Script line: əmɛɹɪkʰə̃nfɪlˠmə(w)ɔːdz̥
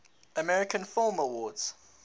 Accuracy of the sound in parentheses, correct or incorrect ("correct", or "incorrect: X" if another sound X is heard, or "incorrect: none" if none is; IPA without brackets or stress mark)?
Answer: correct